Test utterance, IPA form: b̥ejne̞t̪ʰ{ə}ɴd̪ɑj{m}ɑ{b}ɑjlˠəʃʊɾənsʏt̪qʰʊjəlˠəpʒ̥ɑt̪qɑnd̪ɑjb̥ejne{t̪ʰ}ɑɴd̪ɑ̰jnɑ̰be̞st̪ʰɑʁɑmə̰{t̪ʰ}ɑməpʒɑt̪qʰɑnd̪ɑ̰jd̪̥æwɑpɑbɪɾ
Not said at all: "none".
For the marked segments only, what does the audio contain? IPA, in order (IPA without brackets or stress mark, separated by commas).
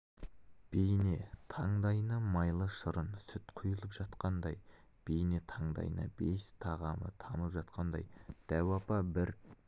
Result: ɑ, n, m, t̪ʰ, t̪ʰ